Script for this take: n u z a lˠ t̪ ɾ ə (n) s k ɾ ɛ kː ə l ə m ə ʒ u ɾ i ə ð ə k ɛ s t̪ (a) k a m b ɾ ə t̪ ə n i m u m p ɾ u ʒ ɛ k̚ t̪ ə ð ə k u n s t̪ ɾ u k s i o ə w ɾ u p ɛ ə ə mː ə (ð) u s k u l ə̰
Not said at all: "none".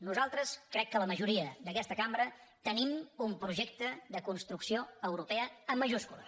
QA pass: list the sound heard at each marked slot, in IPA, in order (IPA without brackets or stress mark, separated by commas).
none, ə, ʒ